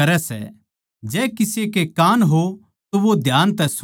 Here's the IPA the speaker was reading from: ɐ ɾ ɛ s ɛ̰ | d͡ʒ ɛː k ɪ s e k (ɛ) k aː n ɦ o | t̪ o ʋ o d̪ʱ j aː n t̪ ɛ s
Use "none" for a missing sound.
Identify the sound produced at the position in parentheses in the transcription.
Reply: e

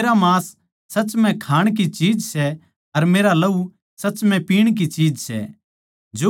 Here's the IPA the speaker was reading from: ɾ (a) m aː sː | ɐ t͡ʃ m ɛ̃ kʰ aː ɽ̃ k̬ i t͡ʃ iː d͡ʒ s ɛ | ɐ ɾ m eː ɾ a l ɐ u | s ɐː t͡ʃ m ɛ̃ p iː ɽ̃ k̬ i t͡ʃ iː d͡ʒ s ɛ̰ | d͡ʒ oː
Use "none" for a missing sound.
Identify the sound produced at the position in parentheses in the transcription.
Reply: a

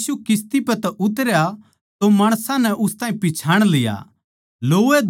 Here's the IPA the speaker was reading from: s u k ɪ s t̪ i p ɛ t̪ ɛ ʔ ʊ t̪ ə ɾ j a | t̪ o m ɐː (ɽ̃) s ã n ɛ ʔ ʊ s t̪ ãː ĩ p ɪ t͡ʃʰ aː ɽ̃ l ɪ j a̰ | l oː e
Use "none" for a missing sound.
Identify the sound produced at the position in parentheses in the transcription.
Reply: ɽ̃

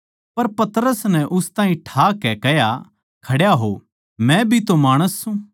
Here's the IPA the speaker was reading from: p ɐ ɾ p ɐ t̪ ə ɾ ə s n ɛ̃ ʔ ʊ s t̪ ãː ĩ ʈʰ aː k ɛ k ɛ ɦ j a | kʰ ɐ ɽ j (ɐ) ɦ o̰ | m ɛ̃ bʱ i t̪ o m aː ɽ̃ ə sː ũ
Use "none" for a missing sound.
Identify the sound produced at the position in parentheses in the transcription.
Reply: a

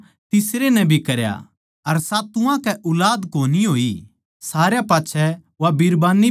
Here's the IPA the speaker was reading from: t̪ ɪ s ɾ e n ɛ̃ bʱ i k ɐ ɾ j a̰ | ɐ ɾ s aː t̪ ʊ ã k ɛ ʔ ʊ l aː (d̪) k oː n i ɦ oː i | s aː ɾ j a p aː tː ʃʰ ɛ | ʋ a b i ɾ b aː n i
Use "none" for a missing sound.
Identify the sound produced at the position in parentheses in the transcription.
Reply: d̪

